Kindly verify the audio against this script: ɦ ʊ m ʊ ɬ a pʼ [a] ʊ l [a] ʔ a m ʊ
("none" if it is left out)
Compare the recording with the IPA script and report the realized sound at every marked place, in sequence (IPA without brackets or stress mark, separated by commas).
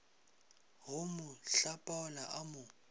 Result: a, a